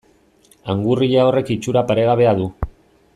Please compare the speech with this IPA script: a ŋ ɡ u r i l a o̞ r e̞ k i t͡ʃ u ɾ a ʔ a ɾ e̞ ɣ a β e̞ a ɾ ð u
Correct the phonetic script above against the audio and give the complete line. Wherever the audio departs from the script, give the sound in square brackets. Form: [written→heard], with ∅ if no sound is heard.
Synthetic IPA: a ŋ ɡ u r i [l→ʎ] a o̞ r e̞ k i t͡ʃ u ɾ a [ʔ→p] a ɾ e̞ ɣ a β e̞ a [ɾ→∅] ð u